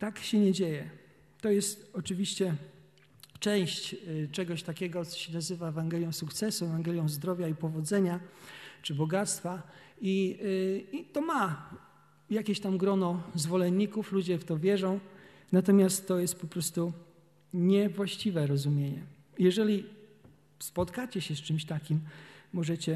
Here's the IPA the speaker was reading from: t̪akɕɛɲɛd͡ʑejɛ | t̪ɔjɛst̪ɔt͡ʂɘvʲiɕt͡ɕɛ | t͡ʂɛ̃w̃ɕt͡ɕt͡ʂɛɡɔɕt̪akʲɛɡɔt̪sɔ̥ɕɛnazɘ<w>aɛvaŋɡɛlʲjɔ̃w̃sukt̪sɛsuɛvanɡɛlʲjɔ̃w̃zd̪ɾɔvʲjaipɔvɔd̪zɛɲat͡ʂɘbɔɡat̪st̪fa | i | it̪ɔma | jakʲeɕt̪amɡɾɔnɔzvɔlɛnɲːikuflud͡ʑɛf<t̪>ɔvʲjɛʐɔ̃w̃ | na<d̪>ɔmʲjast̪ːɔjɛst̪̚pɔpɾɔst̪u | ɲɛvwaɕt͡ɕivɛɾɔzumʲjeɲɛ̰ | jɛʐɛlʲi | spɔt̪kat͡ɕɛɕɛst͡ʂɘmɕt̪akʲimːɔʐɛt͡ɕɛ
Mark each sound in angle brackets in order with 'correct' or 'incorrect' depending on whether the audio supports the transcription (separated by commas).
incorrect, correct, incorrect